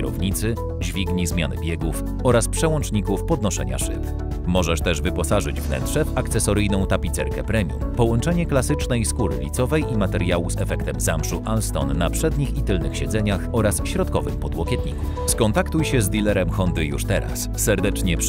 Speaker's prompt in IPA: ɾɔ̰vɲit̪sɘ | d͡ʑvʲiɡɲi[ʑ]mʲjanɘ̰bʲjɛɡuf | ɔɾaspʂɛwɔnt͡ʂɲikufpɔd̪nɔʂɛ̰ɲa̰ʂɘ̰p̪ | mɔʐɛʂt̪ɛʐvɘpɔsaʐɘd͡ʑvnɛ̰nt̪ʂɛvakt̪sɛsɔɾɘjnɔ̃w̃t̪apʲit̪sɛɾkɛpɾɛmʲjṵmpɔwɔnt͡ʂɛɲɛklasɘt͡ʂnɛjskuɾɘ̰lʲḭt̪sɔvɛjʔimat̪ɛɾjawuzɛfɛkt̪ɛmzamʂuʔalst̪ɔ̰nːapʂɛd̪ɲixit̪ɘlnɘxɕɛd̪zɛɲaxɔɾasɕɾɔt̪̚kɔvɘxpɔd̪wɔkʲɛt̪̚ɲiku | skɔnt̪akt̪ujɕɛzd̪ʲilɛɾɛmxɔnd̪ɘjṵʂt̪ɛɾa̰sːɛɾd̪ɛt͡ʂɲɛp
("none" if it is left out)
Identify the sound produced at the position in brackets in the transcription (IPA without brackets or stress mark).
z